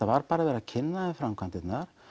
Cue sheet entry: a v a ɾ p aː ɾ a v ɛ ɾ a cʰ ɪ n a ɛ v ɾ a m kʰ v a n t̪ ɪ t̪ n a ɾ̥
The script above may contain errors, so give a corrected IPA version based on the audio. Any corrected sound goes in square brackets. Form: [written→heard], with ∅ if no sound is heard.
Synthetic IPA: a v a ɾ p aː ɾ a v ɛ ɾ a cʰ ɪ [n→nː] a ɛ [v→f] ɾ a m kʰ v a n t̪ ɪ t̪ n a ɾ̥

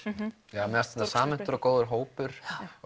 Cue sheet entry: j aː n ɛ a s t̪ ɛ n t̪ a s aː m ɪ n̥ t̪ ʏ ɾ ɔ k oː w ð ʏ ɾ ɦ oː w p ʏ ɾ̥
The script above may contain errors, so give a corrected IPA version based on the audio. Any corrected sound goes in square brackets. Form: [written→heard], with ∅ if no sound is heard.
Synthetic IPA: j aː [n→m] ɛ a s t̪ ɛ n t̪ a s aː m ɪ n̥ t̪ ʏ ɾ ɔ k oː w ð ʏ ɾ ɦ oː w p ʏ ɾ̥

